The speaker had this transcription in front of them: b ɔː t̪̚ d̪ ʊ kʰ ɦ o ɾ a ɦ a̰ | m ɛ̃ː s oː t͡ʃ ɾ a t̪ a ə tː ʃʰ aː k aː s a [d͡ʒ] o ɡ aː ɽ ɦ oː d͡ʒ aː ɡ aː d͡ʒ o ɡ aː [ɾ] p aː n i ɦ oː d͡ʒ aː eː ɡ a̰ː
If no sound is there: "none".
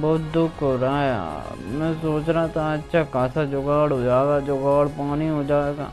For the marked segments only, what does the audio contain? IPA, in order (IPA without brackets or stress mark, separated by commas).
d͡ʒ, ɽ